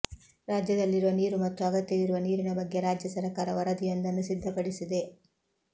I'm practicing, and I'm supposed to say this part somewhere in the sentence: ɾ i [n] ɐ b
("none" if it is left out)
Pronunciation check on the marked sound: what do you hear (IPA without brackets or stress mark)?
n